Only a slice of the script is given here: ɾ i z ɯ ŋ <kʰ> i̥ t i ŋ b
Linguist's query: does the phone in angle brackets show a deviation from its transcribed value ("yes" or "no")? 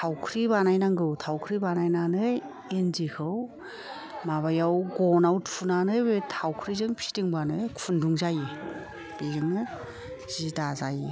yes